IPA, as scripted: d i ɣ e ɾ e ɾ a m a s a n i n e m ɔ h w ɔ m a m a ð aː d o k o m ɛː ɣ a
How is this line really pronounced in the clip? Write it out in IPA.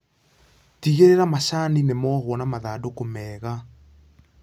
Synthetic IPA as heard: t i ɣ e ɾ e ɾ a m a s a n i n e m ɔ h w ɔ n a m a ð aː d o k o m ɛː ɣ a